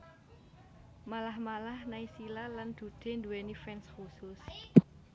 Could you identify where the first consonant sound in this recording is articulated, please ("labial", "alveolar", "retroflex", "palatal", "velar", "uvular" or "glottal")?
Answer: labial